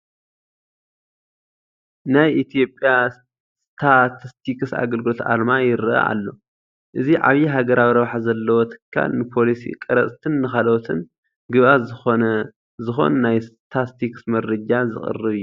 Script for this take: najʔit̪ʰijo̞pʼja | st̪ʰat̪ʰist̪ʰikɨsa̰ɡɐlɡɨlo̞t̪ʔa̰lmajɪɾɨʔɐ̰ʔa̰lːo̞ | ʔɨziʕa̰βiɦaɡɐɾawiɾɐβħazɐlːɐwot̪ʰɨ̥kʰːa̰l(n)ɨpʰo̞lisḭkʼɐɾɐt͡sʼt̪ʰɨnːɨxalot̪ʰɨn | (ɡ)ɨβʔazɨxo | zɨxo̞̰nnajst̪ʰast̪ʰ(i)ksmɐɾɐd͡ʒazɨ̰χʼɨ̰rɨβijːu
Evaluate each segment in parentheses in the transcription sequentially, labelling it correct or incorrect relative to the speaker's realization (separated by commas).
correct, correct, correct